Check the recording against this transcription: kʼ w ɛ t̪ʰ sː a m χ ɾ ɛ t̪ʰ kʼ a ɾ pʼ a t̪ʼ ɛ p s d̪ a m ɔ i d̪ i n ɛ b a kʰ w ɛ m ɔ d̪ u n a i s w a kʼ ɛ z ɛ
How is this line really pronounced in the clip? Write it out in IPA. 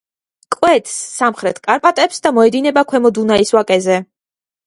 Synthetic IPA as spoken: kʼ w ɛ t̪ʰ sː a m χ ɾ ɛ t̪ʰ kʼ a ɾ pʼ a t̪ʼ ɛ p s d̪ a m ɔ ɛ d̪ i n ɛ b a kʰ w ɛ m ɔ d̪ u n a i s w a kʼ ɛ z ɛ